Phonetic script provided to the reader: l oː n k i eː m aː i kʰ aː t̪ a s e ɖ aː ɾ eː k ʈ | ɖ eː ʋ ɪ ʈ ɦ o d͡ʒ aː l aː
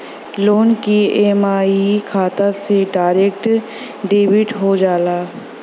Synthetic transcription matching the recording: l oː n k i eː m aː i kʰ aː t̪ a s e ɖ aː ɾ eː k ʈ | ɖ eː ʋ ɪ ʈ ɦ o d͡ʒ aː l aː